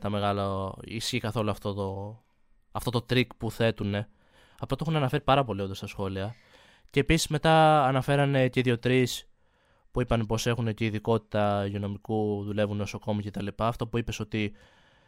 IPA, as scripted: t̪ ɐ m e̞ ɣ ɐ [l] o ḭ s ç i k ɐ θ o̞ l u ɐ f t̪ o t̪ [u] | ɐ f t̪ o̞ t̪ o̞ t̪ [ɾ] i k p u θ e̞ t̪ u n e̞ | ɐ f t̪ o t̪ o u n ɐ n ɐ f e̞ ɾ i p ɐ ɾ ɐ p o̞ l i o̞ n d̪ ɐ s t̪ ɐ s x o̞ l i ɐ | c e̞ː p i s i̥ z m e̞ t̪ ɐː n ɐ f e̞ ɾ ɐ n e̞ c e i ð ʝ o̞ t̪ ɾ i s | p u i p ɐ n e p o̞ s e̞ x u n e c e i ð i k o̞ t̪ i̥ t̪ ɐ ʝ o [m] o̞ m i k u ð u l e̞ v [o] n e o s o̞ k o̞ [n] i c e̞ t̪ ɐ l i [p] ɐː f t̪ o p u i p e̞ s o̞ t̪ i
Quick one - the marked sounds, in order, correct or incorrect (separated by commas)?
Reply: correct, incorrect, correct, incorrect, incorrect, incorrect, correct